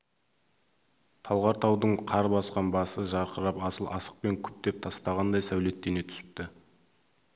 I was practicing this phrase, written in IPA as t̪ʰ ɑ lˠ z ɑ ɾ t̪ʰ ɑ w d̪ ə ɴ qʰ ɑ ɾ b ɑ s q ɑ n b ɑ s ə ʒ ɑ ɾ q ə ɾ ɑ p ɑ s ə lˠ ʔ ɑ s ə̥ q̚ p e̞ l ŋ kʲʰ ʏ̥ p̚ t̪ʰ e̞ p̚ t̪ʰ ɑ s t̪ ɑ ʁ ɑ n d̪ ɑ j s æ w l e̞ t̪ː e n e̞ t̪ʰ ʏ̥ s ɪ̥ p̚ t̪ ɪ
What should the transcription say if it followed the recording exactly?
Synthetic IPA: t̪ʰ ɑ lˠ ʁ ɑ ɾ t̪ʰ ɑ w d̪ ə ɴ qʰ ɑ ɾ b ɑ s q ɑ n b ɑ s ə ʒ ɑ ɾ q ə ɾ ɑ p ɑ s ə lˠ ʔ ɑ s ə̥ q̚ p e̞ ŋ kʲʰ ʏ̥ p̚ t̪ e̞ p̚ t̪ʰ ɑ s t̪ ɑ ʁ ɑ n d̪ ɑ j s æ w l e̞ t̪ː e n e̞ t̪ʰ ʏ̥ s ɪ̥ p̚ t̪ ɪ